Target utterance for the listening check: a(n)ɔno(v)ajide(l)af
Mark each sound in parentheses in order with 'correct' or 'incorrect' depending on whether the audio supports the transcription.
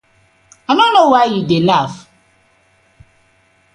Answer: correct, incorrect: w, correct

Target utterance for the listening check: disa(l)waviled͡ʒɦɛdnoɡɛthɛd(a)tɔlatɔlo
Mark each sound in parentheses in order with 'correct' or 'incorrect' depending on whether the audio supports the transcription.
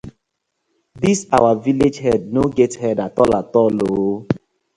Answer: incorrect: none, correct

